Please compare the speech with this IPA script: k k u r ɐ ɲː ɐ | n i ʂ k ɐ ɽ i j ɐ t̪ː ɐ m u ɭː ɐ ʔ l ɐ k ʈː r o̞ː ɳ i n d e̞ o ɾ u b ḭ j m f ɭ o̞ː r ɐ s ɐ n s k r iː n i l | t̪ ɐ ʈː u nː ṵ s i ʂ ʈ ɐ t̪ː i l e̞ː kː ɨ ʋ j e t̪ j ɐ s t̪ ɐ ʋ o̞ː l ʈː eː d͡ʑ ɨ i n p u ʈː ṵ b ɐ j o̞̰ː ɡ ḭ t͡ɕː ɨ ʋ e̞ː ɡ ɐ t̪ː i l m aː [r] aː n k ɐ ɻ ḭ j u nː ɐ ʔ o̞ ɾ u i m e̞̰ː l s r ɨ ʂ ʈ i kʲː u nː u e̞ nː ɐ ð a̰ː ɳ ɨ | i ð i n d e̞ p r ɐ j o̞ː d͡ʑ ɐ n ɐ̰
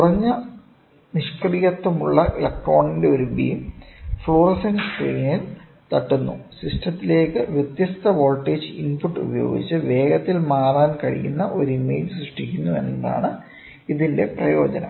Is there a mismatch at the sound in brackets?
no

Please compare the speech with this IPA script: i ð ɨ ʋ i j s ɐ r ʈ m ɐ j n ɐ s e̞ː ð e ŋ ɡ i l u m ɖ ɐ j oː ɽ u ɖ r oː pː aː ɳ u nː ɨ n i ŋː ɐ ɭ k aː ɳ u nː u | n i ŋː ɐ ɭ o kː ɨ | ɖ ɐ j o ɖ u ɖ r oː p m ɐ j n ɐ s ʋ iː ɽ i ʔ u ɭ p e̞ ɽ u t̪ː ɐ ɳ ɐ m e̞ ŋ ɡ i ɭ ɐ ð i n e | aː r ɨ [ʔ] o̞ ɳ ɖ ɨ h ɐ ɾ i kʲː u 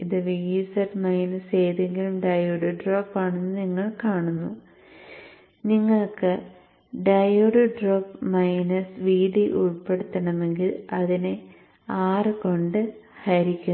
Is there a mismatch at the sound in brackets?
yes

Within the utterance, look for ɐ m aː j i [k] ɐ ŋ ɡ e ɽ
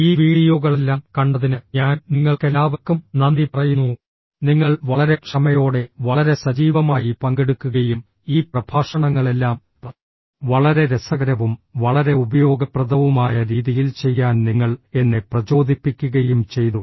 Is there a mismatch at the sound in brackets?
yes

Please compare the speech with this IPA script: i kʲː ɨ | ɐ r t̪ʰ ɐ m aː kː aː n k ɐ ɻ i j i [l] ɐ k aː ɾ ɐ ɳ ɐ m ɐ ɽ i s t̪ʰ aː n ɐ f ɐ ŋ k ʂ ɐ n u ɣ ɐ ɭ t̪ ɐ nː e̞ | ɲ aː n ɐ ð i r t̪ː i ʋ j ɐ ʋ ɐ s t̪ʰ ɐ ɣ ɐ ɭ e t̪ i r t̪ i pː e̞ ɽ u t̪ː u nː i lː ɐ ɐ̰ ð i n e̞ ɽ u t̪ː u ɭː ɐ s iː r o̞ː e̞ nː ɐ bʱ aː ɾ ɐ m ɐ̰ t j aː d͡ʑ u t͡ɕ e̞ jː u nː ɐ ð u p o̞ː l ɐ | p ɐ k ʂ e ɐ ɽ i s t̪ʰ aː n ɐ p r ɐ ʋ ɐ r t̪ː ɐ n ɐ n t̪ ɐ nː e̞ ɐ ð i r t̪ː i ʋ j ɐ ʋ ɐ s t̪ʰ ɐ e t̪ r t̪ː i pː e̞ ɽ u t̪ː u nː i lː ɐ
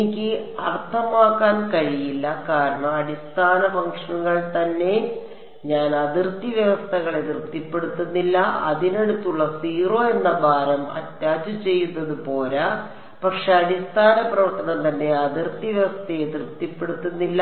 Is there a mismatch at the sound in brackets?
yes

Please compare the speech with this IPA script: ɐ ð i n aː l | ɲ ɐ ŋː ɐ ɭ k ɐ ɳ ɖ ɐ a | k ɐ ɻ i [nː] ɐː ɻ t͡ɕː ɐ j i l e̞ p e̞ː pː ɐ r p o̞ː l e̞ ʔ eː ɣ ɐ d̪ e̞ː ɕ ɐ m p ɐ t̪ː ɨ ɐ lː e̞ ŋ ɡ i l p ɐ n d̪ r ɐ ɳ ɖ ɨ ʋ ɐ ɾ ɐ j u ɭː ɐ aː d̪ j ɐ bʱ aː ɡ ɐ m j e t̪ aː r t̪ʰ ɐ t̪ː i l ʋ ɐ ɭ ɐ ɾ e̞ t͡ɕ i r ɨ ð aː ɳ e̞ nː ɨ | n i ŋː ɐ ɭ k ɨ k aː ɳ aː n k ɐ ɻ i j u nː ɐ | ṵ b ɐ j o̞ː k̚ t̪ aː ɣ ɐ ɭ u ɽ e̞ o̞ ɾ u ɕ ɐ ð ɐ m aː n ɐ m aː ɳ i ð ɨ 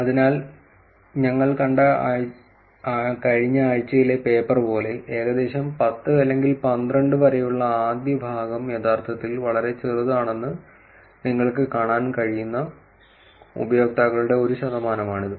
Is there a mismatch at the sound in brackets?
yes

